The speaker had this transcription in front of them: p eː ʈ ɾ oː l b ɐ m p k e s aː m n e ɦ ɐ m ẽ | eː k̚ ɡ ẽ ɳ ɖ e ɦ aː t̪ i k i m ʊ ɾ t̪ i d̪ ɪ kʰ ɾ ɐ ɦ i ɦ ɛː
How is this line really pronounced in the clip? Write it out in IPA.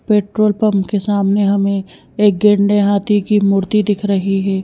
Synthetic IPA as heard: p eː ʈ ɾ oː l p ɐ m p k e s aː m n e ɦ ɐ m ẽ | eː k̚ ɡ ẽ ɳ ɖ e ɦ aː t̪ i k i m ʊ ɾ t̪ i d̪ ɪ kʰ ɾ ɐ ɦ i ɦ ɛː